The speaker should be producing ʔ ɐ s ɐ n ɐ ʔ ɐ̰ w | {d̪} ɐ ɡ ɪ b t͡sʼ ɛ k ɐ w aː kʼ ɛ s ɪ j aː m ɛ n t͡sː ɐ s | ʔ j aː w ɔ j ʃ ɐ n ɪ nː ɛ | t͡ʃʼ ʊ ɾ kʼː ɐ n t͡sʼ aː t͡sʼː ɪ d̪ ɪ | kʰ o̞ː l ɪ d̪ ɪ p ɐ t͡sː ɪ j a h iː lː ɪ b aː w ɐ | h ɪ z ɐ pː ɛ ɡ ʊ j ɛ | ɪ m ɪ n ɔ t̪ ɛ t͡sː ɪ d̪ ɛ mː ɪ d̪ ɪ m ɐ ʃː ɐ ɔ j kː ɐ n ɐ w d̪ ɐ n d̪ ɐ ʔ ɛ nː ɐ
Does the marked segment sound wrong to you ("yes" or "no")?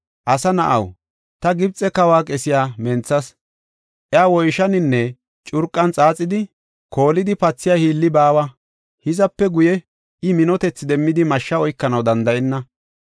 yes